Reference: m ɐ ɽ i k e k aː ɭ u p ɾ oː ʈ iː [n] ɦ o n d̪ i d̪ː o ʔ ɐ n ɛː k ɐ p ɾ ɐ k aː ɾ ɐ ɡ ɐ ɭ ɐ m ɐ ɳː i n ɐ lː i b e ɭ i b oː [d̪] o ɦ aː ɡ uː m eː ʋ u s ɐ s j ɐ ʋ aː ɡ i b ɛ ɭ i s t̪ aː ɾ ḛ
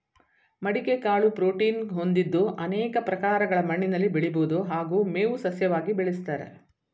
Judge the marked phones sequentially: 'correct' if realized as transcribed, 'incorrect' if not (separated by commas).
correct, correct